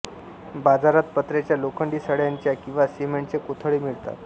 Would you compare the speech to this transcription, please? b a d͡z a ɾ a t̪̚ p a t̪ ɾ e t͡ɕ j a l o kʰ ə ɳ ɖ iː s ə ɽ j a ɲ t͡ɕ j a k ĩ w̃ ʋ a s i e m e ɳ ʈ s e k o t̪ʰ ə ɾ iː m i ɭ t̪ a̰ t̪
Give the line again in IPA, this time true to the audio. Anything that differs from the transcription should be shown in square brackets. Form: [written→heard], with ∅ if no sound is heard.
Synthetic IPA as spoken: b a d͡z a ɾ a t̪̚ p [a→ə] t̪ ɾ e t͡ɕ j a l o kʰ ə ɳ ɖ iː s ə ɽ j a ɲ t͡ɕ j a k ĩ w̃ ʋ a s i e m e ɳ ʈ [s→t͡s] e k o t̪ʰ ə [ɾ→ɭ] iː m i ɭ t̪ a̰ t̪